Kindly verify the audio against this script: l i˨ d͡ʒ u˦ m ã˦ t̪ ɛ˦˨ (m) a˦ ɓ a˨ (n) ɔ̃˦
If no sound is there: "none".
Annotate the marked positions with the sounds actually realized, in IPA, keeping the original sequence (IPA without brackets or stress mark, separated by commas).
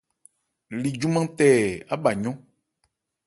none, ɲ